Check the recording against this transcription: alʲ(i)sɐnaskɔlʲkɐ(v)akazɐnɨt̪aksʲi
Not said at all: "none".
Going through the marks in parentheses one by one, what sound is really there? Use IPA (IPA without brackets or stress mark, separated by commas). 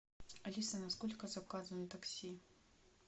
i, z